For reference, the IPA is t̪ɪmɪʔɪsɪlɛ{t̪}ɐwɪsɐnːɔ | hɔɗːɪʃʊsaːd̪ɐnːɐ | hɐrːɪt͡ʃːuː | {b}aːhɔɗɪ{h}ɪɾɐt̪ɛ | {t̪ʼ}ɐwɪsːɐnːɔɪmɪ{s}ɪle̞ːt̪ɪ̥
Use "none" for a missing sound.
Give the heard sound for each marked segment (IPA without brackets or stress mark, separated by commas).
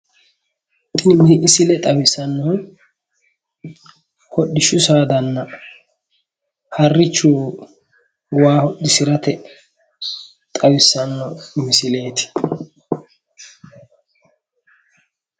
t̪ʼ, w, s, t̪ʼ, s